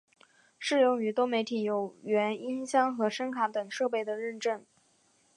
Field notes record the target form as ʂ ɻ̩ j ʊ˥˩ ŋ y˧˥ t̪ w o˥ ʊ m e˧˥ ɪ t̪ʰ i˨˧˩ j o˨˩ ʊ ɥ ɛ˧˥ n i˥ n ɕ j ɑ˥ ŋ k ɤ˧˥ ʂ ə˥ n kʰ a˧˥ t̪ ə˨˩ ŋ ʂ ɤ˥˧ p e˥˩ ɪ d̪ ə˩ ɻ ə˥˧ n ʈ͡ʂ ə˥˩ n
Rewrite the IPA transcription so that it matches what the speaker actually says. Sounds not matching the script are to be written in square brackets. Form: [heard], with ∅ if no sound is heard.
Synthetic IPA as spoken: ʂ ɻ̩ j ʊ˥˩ ŋ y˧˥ t̪ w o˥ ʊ m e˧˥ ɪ t̪ʰ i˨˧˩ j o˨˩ ʊ ɥ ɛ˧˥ n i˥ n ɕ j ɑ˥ ŋ [x] ɤ˧˥ ʂ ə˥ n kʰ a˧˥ t̪ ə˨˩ ŋ ʂ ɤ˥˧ p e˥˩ ɪ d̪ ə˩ ɻ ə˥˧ n ʈ͡ʂ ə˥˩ n

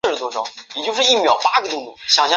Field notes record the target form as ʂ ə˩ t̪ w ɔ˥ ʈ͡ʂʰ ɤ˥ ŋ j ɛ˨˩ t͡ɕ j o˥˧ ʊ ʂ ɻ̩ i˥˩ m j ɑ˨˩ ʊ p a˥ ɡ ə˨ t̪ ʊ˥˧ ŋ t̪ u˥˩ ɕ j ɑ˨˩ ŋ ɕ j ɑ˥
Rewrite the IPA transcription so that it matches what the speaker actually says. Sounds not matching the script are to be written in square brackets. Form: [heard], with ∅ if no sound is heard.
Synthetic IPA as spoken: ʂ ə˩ t̪ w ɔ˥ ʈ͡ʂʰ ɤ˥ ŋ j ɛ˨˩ t͡ɕ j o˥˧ ʊ ʂ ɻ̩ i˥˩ m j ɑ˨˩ ʊ p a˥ ɡ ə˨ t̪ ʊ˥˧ ŋ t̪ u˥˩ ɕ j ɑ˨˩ ŋ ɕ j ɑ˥

